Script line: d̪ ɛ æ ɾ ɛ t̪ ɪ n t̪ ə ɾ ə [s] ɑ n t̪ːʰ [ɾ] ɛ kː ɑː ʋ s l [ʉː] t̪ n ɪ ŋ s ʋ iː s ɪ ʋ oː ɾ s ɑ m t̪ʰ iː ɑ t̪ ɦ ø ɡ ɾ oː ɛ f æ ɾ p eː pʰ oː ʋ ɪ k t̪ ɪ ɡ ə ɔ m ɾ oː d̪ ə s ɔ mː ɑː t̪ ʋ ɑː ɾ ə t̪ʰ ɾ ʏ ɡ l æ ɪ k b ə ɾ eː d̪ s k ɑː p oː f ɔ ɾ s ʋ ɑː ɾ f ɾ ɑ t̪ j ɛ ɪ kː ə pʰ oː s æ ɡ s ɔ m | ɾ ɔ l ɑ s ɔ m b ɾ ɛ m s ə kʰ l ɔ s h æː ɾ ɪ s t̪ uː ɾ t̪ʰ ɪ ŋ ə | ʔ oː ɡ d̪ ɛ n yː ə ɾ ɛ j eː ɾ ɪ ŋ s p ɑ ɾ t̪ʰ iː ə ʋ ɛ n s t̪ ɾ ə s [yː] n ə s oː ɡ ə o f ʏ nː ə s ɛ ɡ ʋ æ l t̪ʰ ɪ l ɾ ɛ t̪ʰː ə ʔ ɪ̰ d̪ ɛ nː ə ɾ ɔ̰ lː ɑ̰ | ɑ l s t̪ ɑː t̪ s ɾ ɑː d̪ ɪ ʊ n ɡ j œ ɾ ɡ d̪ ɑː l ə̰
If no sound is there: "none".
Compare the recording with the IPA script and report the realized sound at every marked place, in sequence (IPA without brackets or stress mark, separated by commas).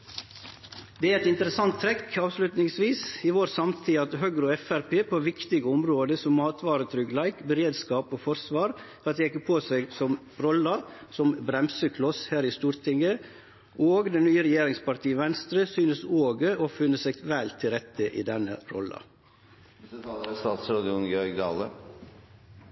s, ɾ, ʉ, yː